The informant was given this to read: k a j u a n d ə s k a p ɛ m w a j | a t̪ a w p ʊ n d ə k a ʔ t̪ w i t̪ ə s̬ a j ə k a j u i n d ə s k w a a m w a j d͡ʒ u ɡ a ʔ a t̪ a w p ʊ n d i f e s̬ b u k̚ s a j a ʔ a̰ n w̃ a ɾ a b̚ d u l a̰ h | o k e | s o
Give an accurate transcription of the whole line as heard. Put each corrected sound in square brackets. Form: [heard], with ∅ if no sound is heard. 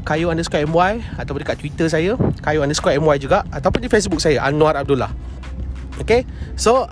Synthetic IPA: k a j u a n d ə s k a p ɛ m w a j | a t̪ a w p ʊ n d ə k a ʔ t̪ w i t̪ ə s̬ a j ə k a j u [a] n d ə s k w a [ɛ] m w a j d͡ʒ u ɡ a ʔ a t̪ a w p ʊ n d i f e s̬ b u k̚ s a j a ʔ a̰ n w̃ a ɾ a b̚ d u l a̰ h | o k e | s o